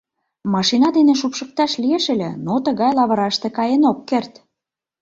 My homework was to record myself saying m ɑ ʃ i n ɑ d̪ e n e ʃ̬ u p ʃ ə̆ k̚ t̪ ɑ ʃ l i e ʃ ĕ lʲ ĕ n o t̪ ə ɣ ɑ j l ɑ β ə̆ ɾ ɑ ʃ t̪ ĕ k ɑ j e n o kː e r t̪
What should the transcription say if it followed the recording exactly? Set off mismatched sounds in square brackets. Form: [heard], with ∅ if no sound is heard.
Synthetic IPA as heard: m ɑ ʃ i n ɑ d̪ e n e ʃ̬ u p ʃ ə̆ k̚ t̪ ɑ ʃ l i e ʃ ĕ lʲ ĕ n o t̪ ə ɣ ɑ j l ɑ β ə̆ ɾ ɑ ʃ t̪ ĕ k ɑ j e n o kː e r t̪